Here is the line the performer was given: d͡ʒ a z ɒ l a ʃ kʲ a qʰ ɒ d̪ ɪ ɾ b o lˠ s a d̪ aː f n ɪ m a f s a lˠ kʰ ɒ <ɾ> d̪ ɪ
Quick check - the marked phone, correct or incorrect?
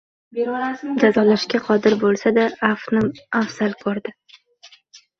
correct